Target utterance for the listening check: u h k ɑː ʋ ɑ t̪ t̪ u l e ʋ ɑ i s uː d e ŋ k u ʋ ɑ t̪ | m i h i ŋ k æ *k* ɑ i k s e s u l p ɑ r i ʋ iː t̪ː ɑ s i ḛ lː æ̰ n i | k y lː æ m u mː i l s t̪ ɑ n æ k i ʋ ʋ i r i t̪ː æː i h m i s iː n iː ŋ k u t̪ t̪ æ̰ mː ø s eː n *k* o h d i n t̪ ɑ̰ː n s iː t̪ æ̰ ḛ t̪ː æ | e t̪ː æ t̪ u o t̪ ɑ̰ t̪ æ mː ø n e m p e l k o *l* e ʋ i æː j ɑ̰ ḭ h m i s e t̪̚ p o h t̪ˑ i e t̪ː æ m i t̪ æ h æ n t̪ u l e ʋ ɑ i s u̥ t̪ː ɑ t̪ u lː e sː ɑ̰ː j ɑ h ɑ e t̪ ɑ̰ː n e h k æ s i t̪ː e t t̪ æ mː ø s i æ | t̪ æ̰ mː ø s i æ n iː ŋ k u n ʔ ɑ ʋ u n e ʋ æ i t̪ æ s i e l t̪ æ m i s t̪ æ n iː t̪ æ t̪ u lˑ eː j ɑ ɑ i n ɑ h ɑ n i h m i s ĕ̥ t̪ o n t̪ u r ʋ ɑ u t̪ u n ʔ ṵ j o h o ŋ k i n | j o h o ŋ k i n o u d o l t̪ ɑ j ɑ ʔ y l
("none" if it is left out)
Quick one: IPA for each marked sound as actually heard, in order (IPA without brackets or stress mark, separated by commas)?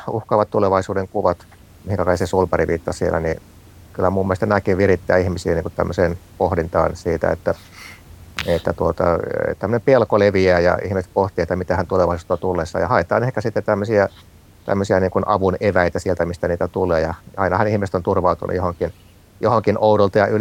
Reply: k, p, l